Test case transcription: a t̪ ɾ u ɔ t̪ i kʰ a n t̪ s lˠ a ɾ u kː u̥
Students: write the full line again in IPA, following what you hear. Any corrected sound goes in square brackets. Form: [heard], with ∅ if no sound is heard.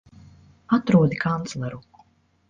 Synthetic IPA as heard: a t̪ ɾ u ɔ [d̪] i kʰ a n t̪ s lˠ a ɾ u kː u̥